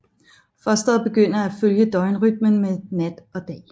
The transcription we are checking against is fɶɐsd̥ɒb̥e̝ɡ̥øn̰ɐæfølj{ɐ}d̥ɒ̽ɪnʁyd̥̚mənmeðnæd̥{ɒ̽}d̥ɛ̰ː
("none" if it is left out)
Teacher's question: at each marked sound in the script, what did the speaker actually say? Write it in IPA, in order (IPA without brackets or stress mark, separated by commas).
ə, ɒ̽